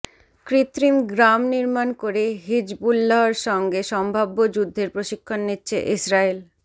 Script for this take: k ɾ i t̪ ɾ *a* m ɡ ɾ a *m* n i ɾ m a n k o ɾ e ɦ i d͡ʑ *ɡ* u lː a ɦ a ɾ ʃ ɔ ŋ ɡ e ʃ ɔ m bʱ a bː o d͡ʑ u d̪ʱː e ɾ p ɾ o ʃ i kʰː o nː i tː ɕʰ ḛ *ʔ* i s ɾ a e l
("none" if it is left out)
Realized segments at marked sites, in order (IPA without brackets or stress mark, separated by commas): i, m, b, ʔ